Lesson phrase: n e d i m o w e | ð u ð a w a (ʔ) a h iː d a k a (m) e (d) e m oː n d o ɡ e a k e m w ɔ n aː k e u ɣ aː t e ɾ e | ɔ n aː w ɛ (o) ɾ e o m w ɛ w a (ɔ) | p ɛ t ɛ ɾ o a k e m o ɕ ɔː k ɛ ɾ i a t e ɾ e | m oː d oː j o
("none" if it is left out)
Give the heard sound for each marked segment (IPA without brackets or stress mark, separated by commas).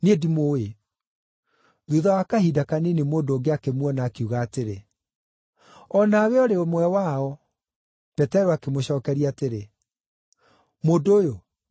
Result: k, n, n, ɔ, ɔ